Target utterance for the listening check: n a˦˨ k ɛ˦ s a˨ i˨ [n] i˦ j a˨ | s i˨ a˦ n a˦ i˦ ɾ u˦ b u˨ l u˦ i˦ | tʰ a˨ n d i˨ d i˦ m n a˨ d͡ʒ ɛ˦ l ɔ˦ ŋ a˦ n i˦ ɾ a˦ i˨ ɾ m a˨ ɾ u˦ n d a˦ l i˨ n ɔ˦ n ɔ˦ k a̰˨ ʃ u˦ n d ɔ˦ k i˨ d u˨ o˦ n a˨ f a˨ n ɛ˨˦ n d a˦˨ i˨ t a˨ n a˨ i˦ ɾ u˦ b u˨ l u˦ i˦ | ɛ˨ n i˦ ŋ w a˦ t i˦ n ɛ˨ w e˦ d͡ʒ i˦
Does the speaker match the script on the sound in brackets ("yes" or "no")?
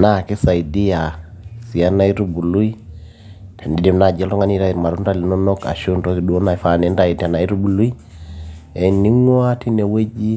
no